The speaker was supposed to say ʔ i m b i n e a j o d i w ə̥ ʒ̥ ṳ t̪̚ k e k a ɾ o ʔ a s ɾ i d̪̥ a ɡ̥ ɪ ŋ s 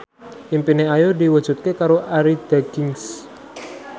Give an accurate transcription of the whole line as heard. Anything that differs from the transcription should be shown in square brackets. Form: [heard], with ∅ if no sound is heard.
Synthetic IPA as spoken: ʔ i m [p] i n e a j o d i w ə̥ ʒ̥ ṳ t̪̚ k e k a ɾ o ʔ a [∅] ɾ i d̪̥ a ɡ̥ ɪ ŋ s